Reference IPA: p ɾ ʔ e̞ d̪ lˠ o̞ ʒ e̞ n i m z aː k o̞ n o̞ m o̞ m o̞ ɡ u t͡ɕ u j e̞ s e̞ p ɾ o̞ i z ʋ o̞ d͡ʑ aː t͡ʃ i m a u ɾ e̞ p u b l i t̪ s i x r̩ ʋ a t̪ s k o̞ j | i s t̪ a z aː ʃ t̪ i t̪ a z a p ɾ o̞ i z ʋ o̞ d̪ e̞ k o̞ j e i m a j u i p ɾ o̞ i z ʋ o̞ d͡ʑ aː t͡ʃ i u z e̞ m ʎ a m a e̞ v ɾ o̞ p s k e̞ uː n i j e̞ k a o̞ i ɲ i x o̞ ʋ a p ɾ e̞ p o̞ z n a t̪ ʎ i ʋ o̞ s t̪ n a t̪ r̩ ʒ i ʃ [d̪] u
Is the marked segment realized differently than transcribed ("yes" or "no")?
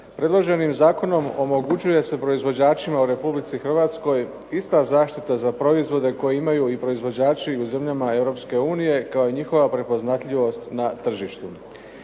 yes